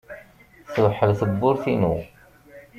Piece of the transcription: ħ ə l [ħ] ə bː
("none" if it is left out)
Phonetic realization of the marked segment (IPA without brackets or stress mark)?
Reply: θ